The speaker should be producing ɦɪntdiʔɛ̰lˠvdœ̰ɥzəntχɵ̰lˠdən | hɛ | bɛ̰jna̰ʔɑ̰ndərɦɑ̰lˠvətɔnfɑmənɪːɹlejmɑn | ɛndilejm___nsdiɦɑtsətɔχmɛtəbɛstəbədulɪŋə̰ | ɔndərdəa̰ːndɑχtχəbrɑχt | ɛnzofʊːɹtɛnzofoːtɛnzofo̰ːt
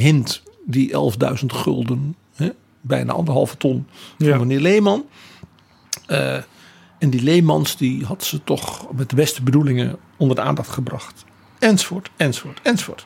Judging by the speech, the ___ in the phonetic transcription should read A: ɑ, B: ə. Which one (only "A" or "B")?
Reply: A